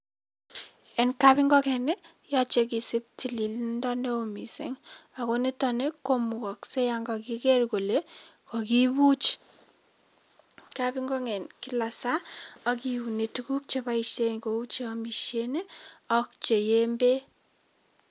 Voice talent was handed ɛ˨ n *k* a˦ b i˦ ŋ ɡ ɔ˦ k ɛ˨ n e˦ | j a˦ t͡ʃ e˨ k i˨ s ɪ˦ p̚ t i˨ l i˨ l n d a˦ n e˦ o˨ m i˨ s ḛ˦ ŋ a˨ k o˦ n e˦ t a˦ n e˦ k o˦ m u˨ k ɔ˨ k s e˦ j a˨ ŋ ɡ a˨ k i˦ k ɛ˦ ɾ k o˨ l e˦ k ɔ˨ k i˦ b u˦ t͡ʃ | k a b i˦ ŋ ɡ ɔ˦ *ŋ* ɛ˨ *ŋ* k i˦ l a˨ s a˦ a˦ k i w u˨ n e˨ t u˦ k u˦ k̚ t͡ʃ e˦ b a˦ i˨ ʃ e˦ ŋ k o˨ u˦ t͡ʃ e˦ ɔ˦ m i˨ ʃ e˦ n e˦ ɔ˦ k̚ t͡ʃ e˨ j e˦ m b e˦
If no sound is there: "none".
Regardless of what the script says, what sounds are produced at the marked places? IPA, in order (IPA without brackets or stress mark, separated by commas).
k, ŋ, n